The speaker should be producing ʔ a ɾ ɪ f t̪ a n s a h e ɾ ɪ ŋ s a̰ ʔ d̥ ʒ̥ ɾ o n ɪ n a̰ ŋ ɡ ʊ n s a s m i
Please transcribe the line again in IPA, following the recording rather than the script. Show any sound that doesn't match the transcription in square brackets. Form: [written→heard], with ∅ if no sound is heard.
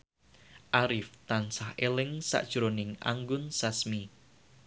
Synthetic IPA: ʔ a ɾ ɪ f t̪ a n s a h e [ɾ→l] ɪ ŋ s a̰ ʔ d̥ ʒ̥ ɾ o n ɪ [n→ŋ] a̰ ŋ ɡ ʊ n s a s m i

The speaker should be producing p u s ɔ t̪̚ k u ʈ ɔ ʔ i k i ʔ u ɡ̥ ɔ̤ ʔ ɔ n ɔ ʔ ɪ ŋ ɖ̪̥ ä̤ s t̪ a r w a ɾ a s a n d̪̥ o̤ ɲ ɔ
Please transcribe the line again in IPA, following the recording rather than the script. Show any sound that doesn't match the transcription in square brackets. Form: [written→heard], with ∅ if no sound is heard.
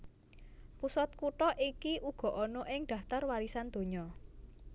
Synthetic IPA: p u s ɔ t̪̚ k u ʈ ɔ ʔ i k i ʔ u ɡ̥ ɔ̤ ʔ ɔ n ɔ ʔ ɪ ŋ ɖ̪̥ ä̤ [s→f] t̪ a r w a ɾ [a→i] s a n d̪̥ o̤ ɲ ɔ

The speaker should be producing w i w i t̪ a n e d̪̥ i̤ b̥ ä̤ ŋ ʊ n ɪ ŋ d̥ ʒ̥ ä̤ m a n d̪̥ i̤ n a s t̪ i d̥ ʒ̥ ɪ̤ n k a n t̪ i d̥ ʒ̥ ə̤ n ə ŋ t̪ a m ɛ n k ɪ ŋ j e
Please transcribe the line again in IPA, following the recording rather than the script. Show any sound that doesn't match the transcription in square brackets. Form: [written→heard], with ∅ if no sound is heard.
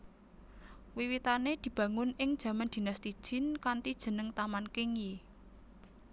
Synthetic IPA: w i w i t̪ a n e d̪̥ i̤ b̥ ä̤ ŋ ʊ n ɪ ŋ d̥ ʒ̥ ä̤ m a n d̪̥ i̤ n a s t̪ i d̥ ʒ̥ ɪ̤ n k a n t̪ i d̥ ʒ̥ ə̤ n ə ŋ t̪ a m [ɛ→a] n k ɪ ŋ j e

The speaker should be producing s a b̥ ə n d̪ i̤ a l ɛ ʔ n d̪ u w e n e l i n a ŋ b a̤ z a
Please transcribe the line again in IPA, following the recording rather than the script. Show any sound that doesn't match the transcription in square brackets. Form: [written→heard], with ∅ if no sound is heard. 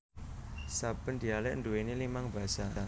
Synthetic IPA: s a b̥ ə n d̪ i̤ a l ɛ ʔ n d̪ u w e n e l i [n→m] a ŋ b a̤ [z→s] a

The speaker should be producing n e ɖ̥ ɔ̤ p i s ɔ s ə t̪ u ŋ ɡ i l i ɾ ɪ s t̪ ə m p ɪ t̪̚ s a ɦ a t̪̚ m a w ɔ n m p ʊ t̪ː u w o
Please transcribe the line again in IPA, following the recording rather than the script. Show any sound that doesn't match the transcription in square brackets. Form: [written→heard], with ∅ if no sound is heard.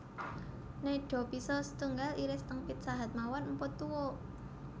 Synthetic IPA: n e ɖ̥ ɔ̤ p i s ɔ s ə t̪ u ŋ ɡ [i→a] l i ɾ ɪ s t̪ ə [m→ŋ] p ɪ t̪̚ s a ɦ a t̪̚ m a w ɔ n m p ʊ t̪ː u w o

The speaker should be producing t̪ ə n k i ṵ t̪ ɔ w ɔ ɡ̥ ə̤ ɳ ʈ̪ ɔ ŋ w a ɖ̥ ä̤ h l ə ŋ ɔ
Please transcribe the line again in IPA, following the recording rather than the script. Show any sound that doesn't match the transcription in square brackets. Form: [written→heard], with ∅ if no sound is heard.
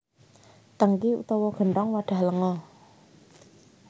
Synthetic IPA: t̪ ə [n→ŋ] k i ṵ t̪ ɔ w ɔ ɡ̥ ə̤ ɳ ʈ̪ ɔ ŋ w a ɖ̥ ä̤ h l ə ŋ ɔ

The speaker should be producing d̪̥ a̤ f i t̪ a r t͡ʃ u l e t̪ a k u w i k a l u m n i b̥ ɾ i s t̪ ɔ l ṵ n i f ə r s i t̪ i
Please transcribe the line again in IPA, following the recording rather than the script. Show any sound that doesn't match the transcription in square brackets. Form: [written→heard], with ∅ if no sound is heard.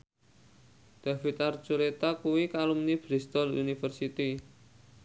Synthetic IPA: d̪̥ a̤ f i t̪ a r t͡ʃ u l e t̪ a k u w i k a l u m n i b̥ ɾ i s t̪ ɔ l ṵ n i f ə r s i t̪ i

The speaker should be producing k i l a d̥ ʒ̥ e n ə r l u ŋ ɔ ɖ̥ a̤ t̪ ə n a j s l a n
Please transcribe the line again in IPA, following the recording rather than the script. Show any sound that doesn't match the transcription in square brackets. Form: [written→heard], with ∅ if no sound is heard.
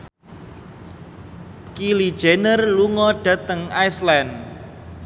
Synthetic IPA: k i l [a→i] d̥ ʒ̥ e n ə r l u ŋ ɔ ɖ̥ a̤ t̪ ə [n→ŋ] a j s l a n

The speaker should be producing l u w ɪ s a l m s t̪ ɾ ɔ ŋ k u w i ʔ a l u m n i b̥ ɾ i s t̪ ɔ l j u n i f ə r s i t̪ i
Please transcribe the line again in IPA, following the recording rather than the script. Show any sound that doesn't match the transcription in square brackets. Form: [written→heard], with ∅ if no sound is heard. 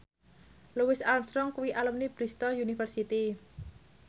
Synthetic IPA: l u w ɪ s a l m s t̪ ɾ ɔ ŋ k u w i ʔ a l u m n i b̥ ɾ i s t̪ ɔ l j u n i f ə r s i t̪ i

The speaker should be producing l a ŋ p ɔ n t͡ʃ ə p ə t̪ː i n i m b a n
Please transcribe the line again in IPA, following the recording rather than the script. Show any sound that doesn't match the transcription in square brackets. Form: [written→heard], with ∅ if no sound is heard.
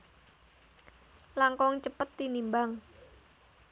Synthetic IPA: l a ŋ [p→k] ɔ [n→ŋ] t͡ʃ ə p ə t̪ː i n i m b a [n→ŋ]

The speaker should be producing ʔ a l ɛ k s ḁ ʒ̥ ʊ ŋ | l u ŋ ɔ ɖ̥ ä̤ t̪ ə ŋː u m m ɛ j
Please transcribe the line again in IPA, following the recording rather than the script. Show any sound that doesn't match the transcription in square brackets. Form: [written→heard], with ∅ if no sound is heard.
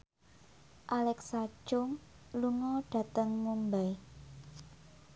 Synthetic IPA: ʔ a l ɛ k s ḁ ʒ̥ ʊ ŋ | l u ŋ ɔ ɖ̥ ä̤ t̪ ə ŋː u m [m→b] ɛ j

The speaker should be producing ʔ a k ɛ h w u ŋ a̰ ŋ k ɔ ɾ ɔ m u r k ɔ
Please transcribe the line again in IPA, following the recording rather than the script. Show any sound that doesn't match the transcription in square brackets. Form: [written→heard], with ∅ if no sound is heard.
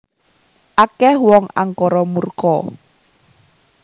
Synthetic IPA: ʔ a k ɛ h w [u→ɔ] ŋ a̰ ŋ k ɔ ɾ ɔ m u r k ɔ

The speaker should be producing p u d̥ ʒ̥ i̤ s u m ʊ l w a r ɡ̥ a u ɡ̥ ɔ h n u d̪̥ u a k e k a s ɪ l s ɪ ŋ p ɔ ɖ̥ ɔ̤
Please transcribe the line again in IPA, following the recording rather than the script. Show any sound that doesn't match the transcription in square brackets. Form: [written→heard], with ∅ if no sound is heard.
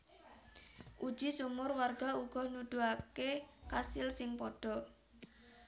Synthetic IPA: [p→ʔ] u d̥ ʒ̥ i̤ s u m ʊ [l→r] w a r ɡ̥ a u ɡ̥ ɔ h n u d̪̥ u a k e k a s ɪ l s ɪ ŋ p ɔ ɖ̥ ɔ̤

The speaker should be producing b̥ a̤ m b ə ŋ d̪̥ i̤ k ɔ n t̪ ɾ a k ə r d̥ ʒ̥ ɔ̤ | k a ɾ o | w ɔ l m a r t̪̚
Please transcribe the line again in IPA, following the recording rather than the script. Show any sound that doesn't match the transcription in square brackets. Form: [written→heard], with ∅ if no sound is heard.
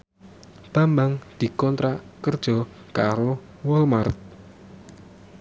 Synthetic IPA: b̥ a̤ m b [ə→a] ŋ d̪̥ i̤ k ɔ n t̪ ɾ a k ə r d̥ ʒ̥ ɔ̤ | k a ɾ o | w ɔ l m a r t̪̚

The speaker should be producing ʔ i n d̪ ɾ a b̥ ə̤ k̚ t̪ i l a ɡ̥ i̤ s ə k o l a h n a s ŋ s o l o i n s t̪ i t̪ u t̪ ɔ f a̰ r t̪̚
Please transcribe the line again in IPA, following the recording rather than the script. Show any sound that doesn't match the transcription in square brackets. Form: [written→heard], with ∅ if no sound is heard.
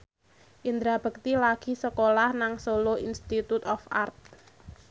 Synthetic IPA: ʔ i n d̪ ɾ a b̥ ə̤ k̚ t̪ i l a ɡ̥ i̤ s ə k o l a h n a [s→∅] ŋ s o l o i n s t̪ i t̪ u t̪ ɔ f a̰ r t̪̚

